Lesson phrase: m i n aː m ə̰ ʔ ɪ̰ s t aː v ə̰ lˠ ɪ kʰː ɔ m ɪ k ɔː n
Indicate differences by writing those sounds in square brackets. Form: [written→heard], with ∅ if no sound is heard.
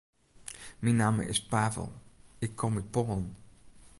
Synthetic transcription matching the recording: m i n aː m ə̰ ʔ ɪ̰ s [t→p] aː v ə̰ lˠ ɪ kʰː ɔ m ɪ [k→p] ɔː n